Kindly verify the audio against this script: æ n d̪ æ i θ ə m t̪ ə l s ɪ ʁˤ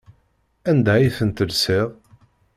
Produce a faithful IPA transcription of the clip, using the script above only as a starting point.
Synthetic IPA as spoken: æ n d̪ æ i θ ə n t̪ ə l s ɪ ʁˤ